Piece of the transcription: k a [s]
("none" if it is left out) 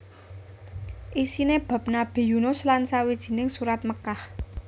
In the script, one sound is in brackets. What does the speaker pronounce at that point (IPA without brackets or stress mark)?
h